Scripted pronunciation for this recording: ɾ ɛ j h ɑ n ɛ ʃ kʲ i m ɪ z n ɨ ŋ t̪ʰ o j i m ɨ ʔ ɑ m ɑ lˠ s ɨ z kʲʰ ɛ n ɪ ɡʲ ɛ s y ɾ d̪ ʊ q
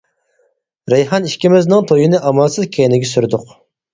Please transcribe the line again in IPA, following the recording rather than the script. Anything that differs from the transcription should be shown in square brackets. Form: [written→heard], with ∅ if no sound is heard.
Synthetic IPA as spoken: ɾ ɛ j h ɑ n [ɛ→i] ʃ kʲ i m ɪ z n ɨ ŋ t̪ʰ o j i [m→n] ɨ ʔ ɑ m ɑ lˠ s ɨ z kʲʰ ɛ n ɪ ɡʲ ɛ s y ɾ d̪ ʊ q